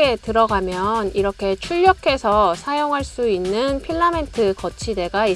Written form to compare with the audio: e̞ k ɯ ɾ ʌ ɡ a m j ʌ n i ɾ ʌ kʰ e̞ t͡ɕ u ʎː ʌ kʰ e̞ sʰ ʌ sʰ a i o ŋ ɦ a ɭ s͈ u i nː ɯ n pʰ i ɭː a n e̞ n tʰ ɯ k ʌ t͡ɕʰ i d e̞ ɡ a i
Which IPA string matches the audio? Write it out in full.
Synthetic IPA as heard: e̞ t ɯ ɾ ʌ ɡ a m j ʌ n i ɾ ʌ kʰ e̞ t͡ɕʰ u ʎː ʌ kʰ e̞ sʰ ʌ sʰ a j o ŋ ɦ a ɭ s͈ u i nː ɯ n pʰ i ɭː a m e̞ n tʰ ɯ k ʌ t͡ɕʰ i d e̞ ɡ a i